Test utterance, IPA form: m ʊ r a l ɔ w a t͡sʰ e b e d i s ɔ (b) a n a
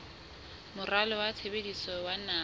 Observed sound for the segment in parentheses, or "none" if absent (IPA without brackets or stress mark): w